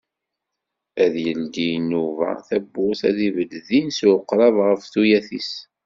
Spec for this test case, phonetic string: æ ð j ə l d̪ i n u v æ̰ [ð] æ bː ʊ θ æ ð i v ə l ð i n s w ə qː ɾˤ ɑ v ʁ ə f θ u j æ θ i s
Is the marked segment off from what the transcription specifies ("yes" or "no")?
yes